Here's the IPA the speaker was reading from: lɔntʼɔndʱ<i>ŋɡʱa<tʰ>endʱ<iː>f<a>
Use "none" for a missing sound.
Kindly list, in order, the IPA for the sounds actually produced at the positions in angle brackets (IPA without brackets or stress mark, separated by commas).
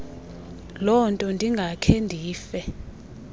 i, kʰ, iː, ɛ